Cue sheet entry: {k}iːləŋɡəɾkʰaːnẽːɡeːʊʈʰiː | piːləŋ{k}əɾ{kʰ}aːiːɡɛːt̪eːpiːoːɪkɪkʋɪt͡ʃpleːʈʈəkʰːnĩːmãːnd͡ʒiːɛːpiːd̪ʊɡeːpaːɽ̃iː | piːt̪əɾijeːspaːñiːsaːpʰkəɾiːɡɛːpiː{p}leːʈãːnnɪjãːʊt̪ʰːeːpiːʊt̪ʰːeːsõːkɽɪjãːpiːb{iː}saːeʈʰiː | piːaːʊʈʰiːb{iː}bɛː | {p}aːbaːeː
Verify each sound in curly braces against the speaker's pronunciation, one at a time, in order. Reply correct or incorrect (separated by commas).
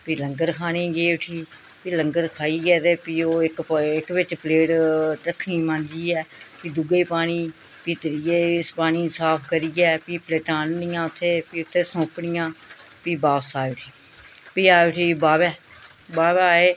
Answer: incorrect, incorrect, correct, correct, incorrect, incorrect, incorrect